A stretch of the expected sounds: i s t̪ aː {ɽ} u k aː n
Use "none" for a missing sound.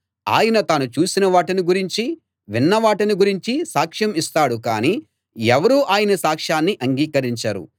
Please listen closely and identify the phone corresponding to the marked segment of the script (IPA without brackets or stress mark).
ɽ